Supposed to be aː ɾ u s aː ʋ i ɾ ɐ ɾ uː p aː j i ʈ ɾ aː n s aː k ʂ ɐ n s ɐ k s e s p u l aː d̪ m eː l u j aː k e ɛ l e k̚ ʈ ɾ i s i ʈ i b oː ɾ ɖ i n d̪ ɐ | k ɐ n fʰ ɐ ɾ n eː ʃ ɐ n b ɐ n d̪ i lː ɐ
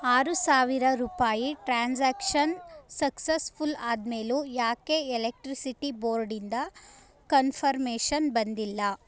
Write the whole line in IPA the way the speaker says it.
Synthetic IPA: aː ɾ u s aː ʋ i ɾ ɐ ɾ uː p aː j i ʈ ɾ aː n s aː k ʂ ɐ n s ɐ k s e s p u l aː d̪ m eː l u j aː k e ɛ l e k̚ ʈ ɾ i s i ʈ i b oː ɾ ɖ i n d̪ ɐ | k ɐ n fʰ ɐ ɾ m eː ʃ ɐ n b ɐ n d̪ i lː ɐ